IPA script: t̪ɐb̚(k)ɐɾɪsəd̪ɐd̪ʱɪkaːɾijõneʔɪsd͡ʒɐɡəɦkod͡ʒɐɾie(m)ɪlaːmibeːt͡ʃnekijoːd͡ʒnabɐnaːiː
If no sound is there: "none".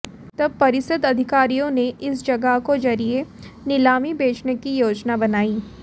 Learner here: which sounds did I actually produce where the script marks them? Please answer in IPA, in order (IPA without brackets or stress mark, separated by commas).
p, n